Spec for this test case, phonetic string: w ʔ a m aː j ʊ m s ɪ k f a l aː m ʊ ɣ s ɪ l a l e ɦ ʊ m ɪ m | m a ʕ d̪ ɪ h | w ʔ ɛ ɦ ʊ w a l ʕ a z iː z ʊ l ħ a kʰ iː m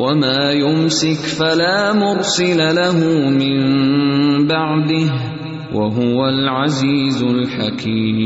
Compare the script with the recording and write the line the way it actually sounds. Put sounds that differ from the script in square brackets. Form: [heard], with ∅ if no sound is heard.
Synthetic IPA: w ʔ a m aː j ʊ m s ɪ k f a l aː m ʊ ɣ s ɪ l a l [a] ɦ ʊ m ɪ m | [b] a ʕ d̪ ɪ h | w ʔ [a] ɦ ʊ w a l ʕ a z iː z ʊ l ħ a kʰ iː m